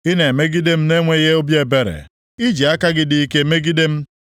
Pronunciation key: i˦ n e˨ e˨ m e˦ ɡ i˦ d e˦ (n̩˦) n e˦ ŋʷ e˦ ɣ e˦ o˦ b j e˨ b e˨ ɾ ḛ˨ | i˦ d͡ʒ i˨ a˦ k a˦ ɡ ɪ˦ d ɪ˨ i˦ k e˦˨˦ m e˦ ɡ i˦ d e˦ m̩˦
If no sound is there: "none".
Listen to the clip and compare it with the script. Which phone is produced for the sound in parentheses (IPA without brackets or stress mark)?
m̩˦